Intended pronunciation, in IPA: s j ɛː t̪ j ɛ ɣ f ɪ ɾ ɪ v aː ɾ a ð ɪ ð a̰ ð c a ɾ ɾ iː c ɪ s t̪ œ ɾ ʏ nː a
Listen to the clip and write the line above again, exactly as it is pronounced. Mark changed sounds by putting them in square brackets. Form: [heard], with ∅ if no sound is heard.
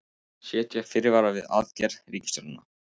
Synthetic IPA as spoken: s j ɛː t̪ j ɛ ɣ f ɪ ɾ ɪ v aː ɾ a [v] ɪ ð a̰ ð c [ɛ] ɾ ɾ iː c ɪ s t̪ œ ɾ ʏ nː a